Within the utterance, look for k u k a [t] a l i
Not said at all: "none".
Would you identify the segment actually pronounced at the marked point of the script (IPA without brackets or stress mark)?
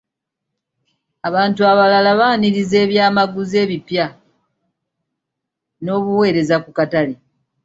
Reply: t